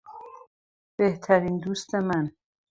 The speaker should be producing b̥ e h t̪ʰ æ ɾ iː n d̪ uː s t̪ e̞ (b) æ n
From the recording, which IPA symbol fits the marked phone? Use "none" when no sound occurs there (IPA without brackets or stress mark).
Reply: m